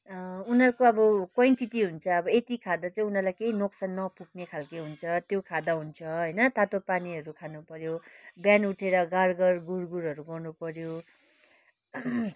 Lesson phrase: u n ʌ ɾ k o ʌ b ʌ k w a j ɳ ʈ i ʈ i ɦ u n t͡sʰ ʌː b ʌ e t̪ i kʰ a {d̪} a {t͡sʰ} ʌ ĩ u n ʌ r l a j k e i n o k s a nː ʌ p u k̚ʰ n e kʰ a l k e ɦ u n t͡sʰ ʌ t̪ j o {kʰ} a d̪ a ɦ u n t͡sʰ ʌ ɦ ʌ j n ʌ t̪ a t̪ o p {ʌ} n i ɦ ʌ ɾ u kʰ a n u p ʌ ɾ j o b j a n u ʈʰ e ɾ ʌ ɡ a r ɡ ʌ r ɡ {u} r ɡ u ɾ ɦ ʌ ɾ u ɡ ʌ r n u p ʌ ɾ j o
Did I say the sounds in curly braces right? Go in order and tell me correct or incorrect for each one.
correct, incorrect, correct, incorrect, correct

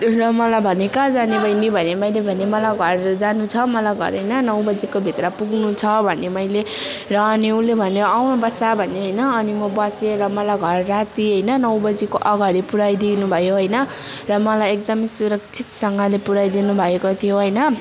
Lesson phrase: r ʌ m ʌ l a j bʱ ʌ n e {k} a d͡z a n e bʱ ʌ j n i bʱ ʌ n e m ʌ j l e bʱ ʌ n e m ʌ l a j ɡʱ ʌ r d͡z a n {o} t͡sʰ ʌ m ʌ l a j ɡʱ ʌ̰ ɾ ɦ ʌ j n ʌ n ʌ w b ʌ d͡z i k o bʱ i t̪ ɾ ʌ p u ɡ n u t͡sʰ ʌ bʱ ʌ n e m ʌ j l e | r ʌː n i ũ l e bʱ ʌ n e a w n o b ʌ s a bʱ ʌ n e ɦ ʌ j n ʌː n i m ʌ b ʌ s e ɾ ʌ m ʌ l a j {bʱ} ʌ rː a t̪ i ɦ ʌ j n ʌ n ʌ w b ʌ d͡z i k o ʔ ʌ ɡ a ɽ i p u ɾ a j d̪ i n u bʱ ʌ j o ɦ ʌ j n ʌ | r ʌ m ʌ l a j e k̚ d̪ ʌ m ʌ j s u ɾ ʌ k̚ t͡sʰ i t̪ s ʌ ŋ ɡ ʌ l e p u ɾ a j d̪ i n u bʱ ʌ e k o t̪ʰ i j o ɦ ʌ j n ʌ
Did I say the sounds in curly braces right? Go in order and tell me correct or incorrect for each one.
correct, incorrect, incorrect

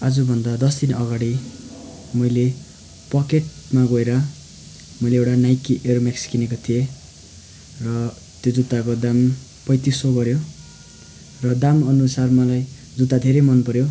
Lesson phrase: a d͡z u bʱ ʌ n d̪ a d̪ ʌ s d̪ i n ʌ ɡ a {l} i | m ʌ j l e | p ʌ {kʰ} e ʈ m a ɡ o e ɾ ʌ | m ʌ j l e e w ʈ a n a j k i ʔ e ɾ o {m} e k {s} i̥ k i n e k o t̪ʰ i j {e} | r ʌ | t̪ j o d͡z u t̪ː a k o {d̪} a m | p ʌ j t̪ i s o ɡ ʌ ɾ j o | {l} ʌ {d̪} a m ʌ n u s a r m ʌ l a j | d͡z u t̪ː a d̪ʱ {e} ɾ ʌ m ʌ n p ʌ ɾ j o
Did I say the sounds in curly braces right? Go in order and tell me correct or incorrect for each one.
incorrect, incorrect, correct, correct, correct, correct, incorrect, correct, correct

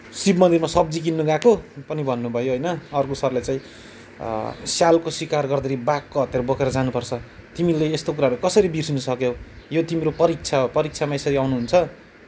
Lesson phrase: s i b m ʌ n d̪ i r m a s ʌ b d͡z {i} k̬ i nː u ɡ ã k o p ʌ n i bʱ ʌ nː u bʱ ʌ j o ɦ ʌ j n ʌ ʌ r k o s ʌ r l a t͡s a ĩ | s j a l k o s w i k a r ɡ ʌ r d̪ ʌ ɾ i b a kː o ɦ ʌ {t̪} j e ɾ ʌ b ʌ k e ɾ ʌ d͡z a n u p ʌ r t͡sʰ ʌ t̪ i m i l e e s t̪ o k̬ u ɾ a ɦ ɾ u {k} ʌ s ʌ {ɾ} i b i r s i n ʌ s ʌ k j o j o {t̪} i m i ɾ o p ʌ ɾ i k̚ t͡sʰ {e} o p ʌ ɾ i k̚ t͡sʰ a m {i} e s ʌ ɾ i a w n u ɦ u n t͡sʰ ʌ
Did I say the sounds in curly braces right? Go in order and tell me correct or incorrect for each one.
correct, correct, correct, correct, correct, incorrect, incorrect

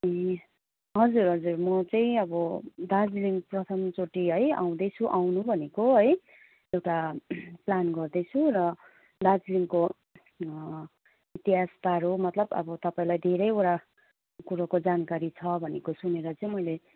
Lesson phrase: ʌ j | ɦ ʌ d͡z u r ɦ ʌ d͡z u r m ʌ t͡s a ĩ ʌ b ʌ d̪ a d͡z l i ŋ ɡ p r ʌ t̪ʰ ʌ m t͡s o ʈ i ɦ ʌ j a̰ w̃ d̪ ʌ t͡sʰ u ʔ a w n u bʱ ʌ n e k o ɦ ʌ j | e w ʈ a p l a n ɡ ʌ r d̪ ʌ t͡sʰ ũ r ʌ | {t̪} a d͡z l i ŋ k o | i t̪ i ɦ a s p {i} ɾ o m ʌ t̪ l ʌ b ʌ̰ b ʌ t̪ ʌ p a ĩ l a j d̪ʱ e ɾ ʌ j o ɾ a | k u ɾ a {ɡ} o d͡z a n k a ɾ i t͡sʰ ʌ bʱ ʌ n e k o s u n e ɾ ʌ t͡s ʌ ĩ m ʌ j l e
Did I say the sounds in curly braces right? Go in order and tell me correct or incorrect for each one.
incorrect, incorrect, incorrect

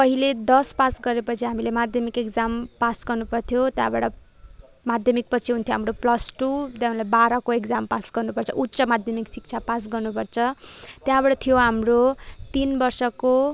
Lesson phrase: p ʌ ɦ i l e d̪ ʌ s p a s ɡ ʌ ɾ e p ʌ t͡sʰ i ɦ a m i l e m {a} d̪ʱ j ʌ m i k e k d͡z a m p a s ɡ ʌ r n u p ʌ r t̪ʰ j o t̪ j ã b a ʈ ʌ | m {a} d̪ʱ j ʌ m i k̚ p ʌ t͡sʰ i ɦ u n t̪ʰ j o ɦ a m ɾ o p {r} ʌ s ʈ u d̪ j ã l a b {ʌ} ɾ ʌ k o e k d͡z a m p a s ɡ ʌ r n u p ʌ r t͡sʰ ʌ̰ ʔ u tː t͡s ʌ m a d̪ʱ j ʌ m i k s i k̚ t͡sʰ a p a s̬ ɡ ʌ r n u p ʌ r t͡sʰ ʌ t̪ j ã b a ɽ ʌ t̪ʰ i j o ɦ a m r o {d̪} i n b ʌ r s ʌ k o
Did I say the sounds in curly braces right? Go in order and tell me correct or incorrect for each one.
correct, correct, incorrect, incorrect, incorrect

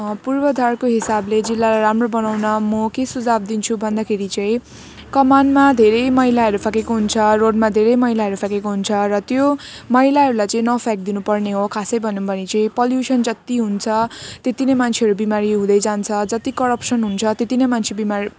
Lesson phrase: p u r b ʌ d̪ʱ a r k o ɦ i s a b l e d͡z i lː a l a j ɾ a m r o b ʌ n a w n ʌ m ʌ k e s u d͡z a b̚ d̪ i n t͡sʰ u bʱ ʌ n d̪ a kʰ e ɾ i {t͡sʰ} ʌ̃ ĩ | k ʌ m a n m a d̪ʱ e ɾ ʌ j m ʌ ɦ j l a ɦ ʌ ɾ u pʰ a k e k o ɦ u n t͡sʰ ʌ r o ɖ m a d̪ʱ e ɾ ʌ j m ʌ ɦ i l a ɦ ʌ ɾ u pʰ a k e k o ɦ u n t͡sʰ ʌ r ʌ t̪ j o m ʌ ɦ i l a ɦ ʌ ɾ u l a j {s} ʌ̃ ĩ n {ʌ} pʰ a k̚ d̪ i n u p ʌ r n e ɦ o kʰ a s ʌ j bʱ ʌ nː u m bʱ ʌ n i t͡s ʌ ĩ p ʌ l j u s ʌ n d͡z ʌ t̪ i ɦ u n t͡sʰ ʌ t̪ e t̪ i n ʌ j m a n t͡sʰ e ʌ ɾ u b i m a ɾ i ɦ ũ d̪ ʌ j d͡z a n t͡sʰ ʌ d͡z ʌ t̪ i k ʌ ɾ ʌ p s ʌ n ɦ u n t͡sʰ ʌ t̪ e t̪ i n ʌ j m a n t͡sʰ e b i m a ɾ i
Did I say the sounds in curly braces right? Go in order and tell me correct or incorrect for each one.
incorrect, incorrect, correct

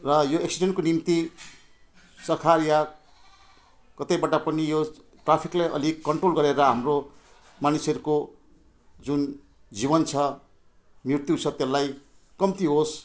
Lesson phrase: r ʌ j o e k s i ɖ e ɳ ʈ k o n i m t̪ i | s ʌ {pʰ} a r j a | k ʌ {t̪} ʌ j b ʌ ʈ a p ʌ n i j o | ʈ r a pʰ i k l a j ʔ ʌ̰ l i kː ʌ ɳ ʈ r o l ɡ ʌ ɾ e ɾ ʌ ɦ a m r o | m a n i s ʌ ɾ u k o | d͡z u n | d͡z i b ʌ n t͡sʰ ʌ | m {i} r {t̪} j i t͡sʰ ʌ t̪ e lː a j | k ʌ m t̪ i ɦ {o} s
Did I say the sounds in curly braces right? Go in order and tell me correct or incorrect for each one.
incorrect, correct, correct, correct, correct

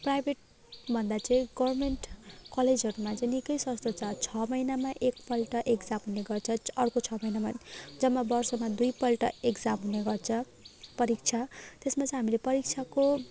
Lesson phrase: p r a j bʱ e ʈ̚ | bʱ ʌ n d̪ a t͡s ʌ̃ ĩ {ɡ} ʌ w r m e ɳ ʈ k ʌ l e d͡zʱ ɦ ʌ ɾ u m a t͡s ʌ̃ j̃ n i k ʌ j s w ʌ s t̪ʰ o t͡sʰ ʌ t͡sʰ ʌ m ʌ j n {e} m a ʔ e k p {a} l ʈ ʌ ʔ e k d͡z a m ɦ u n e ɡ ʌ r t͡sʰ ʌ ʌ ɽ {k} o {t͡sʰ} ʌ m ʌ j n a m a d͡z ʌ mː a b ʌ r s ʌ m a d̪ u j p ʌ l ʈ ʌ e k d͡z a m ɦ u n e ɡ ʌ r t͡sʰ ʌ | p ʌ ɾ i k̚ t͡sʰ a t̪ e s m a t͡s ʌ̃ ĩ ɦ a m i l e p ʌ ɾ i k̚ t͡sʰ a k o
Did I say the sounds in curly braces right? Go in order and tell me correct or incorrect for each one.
correct, incorrect, incorrect, correct, correct

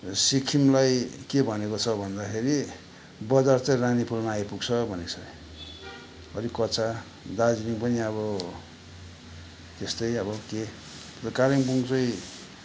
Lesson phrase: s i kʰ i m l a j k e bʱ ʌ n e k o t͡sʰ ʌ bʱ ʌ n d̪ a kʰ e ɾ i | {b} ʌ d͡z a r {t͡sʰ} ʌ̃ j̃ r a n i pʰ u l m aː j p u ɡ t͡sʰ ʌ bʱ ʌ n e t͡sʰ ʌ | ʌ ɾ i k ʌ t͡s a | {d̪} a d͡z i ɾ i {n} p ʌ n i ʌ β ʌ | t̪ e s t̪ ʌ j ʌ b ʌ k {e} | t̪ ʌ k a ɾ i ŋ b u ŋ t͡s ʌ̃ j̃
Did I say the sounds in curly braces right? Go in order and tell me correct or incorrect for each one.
correct, incorrect, correct, incorrect, correct

